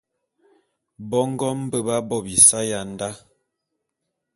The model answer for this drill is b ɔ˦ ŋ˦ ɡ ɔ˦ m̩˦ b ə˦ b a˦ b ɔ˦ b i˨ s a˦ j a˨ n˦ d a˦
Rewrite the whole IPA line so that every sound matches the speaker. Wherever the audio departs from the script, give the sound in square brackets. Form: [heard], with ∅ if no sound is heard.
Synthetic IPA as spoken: b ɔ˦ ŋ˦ ɡ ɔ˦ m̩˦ b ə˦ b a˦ b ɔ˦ b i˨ s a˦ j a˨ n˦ d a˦